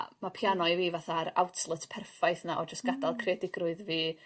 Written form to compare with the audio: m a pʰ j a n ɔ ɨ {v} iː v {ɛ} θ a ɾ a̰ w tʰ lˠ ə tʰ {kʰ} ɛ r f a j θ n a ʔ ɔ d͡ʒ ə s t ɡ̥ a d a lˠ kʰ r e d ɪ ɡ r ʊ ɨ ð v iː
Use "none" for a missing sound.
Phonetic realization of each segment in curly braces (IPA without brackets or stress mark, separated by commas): v, a, pʰ